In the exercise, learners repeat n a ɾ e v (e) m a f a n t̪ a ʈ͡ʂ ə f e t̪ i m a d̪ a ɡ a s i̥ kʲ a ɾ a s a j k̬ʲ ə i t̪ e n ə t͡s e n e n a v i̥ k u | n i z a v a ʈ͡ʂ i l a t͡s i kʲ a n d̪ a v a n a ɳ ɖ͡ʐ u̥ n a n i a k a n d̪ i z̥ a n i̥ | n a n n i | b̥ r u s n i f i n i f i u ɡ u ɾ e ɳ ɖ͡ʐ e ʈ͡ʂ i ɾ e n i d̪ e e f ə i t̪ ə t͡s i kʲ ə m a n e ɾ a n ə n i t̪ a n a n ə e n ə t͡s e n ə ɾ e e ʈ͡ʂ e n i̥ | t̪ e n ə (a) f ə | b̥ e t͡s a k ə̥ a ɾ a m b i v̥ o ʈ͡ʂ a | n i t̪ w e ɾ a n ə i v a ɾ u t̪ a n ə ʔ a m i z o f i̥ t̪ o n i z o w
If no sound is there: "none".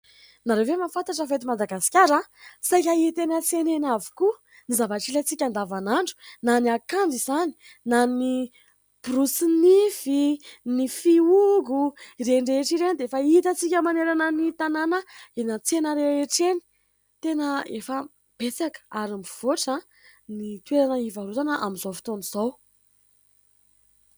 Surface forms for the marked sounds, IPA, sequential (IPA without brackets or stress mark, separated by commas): e, e